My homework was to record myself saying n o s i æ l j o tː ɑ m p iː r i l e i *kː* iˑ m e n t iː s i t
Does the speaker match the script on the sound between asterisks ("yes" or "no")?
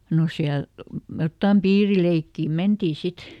yes